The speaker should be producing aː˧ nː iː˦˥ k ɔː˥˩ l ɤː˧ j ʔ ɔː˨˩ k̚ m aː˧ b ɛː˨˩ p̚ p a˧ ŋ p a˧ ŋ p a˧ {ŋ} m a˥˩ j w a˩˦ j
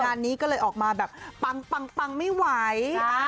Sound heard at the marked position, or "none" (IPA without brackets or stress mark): ŋ